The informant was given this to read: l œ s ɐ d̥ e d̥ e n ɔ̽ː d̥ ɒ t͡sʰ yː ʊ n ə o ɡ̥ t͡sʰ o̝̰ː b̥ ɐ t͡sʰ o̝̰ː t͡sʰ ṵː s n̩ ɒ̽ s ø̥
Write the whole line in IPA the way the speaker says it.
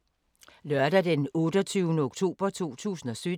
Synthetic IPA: l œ ɐ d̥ æ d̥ e n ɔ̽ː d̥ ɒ t͡sʰ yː ʊ n ə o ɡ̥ t͡sʰ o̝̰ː b̥ ɐ t͡sʰ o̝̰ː t͡sʰ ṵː s n̩ ɒ̽ s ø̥